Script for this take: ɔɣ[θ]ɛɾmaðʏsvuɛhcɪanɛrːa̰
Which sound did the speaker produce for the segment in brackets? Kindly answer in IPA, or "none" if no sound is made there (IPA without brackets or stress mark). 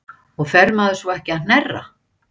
f